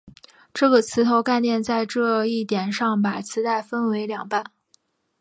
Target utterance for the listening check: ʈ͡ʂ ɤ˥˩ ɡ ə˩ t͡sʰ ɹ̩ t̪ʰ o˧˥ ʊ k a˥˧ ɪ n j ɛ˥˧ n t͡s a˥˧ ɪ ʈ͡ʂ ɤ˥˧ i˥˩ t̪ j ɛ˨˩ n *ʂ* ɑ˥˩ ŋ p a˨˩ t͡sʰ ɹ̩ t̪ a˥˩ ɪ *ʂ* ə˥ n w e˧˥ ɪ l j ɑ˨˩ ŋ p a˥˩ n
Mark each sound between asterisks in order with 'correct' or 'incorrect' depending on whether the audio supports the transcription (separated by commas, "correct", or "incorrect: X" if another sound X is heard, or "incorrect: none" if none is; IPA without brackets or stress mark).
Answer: correct, incorrect: f